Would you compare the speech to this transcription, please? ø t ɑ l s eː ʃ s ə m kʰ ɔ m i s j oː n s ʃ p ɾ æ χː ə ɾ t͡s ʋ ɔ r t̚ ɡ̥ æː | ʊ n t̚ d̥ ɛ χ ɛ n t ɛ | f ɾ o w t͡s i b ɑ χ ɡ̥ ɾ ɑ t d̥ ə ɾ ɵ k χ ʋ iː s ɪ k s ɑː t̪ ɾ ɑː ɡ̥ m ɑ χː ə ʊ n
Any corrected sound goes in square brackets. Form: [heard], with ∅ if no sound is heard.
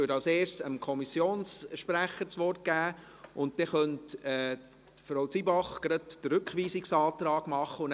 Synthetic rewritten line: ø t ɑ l s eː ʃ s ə m kʰ ɔ m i s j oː n s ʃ p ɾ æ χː ə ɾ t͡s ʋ ɔ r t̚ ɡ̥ æː | ʊ n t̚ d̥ ɛ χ [œ] n t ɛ | f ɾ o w t͡s i b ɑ χ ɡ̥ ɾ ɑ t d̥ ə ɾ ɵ k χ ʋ iː s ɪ k s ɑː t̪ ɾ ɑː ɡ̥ m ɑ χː ə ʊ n